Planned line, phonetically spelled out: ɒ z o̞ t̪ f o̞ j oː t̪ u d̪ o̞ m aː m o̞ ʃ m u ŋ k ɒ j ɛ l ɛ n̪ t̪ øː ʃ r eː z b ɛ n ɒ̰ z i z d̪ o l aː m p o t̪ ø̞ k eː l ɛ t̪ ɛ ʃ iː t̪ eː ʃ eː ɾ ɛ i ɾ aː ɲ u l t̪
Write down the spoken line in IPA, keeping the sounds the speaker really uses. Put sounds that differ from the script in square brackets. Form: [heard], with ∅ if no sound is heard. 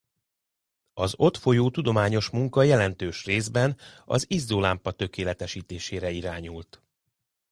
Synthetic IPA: ɒ z o̞ t̪ f o̞ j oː t̪ u d̪ o̞ m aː [ɲ] o̞ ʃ m u ŋ k ɒ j ɛ l ɛ n̪ t̪ øː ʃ r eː z b ɛ n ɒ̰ z i z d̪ o l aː m p [ɒ] t̪ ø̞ k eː l ɛ t̪ ɛ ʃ iː t̪ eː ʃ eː ɾ ɛ i ɾ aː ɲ u l t̪